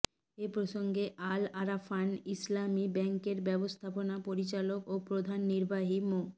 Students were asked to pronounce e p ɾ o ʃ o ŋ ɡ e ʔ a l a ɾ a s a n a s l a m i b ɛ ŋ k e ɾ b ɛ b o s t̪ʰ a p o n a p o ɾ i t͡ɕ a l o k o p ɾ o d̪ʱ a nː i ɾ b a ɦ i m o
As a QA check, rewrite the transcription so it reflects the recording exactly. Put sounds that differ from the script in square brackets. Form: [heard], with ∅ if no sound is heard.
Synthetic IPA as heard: e p ɾ o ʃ o ŋ ɡ e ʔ a l a ɾ a [f] a n [i] s l a m i b ɛ ŋ k e ɾ b ɛ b o s t̪ʰ a p o n a p o ɾ i t͡ɕ a l o k o p ɾ o d̪ʱ a nː i ɾ b a ɦ i m o